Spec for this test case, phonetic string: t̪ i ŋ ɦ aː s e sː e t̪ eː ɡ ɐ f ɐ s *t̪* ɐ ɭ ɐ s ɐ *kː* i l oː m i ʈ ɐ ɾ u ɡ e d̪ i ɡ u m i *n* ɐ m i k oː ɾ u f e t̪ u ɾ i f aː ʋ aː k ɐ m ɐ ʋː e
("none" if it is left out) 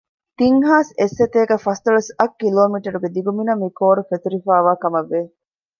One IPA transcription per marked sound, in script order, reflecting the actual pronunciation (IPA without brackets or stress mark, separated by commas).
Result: t̪, kː, n